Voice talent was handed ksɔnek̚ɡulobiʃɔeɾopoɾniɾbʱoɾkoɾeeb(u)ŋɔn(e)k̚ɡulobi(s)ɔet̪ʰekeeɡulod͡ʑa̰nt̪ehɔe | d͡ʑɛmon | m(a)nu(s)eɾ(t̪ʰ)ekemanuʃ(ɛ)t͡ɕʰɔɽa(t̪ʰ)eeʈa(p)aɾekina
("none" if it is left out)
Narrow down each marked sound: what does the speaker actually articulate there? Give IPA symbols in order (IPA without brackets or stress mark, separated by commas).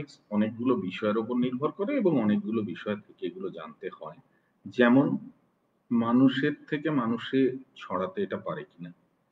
o, e, ʃ, a, ʃ, t̪ʰ, e, t̪, p